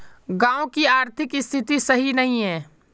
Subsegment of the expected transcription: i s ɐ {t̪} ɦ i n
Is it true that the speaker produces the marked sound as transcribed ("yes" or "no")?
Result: no